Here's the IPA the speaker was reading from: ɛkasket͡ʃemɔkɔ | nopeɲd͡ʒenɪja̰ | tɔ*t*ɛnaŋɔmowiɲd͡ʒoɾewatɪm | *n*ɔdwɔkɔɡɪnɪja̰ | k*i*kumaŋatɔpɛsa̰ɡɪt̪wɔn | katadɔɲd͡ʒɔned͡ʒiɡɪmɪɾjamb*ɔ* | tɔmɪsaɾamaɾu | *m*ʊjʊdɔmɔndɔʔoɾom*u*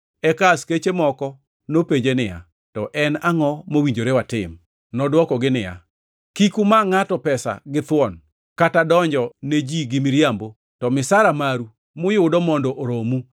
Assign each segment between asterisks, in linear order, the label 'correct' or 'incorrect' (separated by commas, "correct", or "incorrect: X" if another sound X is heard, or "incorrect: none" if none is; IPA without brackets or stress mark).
incorrect: ʔ, correct, correct, incorrect: o, correct, correct